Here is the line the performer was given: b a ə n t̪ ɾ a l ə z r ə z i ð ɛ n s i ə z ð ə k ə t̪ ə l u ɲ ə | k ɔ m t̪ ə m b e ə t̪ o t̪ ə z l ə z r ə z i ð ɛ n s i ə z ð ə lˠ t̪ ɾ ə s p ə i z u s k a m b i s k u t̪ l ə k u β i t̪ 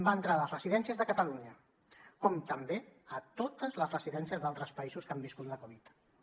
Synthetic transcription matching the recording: b a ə n t̪ ɾ a l ə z r ə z i ð ɛ n s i ə z ð ə k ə t̪ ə l u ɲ ə | k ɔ m t̪ ə m b e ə t̪ o t̪ ə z l ə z r ə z i ð ɛ n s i ə z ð a lˠ t̪ ɾ ə s p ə i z u s k a m b i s k u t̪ l ə k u β i t̪